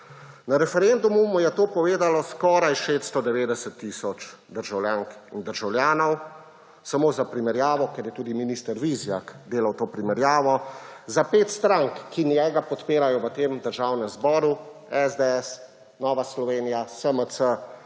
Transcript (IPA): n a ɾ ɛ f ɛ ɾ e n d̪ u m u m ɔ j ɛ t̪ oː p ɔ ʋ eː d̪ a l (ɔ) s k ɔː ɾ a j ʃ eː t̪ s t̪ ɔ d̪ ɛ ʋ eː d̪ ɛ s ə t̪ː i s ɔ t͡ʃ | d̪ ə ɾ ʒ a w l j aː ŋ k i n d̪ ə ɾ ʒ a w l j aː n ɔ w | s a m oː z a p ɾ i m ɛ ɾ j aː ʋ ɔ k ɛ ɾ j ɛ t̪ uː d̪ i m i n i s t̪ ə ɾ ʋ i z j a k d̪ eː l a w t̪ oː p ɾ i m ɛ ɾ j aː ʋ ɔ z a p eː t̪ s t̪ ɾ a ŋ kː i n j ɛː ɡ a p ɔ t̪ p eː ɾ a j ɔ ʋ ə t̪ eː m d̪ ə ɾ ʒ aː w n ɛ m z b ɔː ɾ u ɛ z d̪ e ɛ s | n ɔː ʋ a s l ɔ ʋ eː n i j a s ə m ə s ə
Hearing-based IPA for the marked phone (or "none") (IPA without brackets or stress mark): ɔ